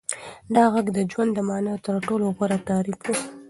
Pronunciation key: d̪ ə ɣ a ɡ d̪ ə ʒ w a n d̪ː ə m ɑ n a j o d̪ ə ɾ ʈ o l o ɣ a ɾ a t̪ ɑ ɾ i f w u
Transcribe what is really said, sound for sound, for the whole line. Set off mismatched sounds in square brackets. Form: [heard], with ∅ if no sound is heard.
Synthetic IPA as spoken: d̪ [ɑ] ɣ a ɡ d̪ ə [d͡ʒ] w a n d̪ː ə m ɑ n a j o [t̪] ə ɾ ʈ o l o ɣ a ɾ a t̪ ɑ ɾ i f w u